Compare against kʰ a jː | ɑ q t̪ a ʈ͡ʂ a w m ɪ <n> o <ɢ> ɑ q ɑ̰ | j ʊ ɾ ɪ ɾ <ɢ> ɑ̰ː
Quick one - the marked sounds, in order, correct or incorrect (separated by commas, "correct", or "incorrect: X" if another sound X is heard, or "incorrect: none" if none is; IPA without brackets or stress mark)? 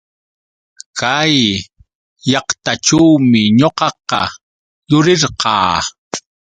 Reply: incorrect: ɲ, incorrect: q, incorrect: q